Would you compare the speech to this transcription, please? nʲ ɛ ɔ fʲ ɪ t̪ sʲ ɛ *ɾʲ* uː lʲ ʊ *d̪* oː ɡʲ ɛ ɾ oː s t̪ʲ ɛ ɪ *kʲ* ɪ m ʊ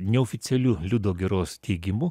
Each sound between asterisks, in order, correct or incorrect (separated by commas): incorrect, correct, incorrect